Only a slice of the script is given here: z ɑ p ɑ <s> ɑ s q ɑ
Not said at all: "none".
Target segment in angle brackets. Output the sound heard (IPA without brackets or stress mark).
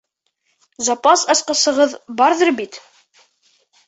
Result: s